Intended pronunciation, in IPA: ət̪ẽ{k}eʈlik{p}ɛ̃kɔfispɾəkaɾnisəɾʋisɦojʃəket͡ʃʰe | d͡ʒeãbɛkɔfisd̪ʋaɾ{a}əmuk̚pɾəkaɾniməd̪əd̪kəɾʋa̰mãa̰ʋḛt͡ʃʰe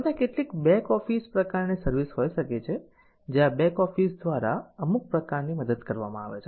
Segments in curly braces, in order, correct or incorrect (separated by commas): correct, incorrect, correct